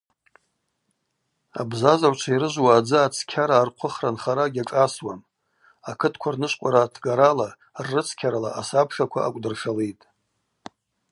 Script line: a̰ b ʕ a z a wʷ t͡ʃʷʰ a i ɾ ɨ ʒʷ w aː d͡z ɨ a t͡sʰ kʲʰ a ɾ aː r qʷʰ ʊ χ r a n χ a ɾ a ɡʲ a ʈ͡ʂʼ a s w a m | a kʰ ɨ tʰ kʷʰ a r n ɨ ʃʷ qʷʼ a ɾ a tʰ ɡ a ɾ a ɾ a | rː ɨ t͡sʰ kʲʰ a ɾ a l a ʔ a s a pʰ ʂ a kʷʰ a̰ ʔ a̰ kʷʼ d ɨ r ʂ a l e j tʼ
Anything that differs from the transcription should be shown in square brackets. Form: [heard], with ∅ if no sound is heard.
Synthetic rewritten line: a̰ b [z] a z a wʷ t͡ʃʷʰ a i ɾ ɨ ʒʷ w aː d͡z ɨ a t͡sʰ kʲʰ a ɾ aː r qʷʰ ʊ χ r a n χ a ɾ a ɡʲ a ʈ͡ʂʼ a s w a m | a kʰ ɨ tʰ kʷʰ a r n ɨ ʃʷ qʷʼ a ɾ a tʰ ɡ a ɾ a [l] a | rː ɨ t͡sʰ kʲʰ a ɾ a l a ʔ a s a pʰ ʂ a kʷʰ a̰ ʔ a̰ kʷʼ d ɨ r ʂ a l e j tʼ